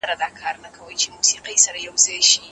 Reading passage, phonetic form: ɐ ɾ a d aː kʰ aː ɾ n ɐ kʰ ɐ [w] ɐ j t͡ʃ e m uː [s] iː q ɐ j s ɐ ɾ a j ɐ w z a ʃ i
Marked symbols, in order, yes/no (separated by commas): yes, yes